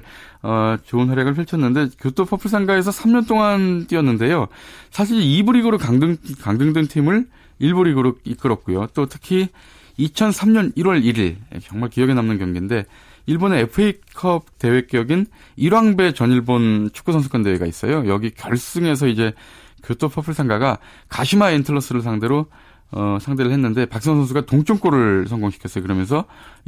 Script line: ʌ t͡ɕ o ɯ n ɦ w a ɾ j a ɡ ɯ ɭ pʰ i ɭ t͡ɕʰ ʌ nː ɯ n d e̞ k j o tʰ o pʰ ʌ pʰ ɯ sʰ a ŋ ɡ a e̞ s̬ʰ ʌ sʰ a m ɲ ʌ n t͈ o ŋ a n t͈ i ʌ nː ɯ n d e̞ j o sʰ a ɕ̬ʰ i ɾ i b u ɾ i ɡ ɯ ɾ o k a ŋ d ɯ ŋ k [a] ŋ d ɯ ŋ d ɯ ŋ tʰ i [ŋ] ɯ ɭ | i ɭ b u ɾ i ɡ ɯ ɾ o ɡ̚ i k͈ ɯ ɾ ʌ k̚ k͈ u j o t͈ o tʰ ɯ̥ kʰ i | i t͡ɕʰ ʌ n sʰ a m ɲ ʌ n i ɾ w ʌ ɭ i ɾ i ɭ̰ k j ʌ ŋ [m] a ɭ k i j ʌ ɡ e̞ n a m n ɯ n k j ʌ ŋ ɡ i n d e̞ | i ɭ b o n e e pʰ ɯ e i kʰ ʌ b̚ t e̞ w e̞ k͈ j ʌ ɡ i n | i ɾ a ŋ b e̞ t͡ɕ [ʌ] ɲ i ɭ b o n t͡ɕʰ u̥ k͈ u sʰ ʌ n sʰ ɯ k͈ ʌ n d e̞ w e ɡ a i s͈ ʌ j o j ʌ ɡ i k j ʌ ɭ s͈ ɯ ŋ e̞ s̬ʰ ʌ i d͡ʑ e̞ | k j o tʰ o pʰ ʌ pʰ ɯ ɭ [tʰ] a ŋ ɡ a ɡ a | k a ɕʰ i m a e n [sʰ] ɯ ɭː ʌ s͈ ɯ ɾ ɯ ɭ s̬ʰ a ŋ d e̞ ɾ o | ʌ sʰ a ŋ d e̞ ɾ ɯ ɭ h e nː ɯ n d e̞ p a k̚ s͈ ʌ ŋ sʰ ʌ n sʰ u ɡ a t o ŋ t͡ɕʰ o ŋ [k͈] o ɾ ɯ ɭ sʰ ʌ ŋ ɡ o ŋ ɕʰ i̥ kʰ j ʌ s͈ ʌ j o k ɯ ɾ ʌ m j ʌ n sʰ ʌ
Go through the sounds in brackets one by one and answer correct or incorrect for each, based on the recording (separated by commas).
correct, incorrect, correct, correct, incorrect, incorrect, correct